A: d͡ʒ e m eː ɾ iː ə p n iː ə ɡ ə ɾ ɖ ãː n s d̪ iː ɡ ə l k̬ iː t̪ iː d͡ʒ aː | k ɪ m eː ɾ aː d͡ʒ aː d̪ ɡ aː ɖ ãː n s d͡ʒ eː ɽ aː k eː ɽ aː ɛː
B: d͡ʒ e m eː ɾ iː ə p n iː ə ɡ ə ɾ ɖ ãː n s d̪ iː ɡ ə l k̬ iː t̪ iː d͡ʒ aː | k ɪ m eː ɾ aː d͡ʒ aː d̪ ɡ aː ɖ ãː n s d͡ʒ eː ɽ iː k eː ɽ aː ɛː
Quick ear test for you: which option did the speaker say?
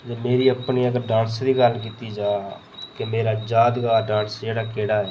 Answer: A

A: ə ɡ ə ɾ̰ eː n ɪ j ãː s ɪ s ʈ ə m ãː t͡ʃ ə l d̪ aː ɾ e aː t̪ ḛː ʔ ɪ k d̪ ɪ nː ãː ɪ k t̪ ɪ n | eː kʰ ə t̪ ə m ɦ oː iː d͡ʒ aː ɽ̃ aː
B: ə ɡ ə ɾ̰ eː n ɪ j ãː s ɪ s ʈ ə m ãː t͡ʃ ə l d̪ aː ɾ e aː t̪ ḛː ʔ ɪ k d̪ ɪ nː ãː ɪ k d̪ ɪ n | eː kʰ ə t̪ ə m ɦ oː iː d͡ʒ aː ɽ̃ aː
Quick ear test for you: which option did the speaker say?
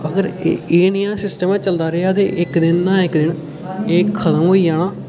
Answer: B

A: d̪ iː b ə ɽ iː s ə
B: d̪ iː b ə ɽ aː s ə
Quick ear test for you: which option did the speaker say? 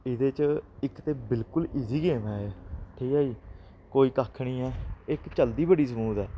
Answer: A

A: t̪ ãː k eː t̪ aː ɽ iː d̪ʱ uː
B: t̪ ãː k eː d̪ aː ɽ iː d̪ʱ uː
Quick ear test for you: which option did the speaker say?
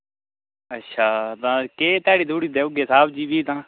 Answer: A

